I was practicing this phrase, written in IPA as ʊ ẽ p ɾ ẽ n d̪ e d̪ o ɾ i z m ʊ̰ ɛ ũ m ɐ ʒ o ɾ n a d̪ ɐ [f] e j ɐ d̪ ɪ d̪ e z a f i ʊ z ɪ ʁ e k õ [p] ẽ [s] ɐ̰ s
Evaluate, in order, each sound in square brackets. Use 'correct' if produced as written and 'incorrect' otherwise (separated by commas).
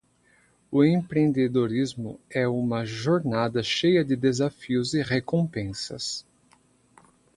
incorrect, correct, correct